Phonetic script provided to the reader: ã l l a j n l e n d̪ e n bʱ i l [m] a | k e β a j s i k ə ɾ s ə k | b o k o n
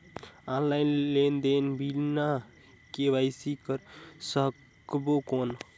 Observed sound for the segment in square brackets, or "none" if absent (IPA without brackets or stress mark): n